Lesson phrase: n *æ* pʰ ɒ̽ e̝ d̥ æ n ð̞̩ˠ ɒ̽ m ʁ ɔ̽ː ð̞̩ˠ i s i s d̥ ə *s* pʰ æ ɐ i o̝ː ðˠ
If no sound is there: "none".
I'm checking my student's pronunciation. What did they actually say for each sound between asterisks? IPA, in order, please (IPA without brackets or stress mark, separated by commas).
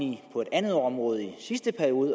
i, none